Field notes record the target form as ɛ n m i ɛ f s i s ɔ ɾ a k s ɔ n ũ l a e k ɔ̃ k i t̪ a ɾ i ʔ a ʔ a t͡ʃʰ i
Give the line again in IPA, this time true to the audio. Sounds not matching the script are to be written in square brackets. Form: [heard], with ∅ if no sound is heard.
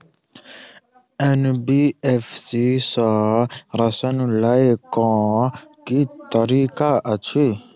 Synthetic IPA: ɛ n [b] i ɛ f s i s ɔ ɾ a [∅] s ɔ n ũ l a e k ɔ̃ k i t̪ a ɾ i [k] a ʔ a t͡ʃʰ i